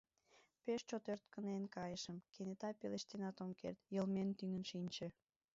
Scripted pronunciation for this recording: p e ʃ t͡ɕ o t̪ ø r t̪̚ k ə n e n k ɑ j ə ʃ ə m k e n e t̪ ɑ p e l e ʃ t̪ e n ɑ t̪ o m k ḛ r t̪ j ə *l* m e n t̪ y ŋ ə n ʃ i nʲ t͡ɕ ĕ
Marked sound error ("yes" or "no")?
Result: no